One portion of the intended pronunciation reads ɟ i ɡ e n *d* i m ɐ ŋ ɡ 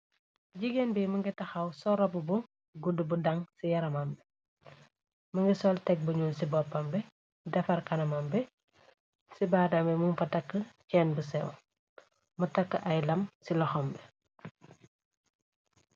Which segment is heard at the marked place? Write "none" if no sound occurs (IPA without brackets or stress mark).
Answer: b